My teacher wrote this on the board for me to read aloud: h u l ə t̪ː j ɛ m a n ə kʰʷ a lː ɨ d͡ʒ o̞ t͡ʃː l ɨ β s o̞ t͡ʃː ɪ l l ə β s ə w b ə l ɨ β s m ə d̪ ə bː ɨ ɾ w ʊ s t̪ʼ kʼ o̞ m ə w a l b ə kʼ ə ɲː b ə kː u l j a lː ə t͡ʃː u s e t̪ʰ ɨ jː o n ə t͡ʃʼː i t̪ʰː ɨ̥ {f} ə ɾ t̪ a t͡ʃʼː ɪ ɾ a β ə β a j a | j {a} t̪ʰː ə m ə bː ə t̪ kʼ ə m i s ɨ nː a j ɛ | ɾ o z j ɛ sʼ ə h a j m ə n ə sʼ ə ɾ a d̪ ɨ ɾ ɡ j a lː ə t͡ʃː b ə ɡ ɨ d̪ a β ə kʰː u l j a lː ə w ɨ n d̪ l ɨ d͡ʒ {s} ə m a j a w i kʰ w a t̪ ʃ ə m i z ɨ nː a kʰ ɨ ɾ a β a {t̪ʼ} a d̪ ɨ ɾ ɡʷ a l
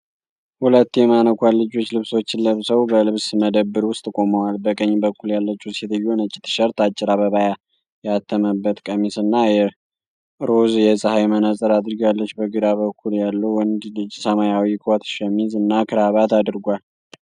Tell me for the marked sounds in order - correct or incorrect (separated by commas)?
incorrect, correct, correct, incorrect